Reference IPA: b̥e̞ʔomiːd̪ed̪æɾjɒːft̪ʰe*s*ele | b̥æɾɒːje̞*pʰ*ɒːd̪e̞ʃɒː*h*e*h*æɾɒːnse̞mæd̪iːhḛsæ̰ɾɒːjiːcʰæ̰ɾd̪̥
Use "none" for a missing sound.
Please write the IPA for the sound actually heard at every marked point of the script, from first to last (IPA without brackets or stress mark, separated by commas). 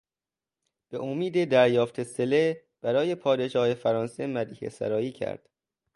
s, pʰ, h, f